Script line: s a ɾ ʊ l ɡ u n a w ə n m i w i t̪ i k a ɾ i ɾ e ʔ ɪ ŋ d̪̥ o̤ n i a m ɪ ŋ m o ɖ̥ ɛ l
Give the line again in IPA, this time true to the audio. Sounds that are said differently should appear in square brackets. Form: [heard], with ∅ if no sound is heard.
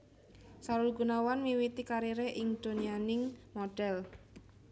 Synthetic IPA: s a ɾ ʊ l ɡ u n a w [a] n m i w i t̪ i k a ɾ i ɾ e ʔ ɪ ŋ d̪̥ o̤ n i a [n] ɪ ŋ m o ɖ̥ ɛ l